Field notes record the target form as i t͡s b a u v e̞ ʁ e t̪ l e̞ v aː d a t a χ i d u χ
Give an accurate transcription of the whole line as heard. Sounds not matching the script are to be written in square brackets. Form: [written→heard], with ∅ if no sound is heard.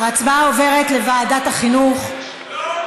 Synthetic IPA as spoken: [i→a] t͡s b a [u→o] v e̞ ʁ e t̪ l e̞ v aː d a t a χ i [d→n] u χ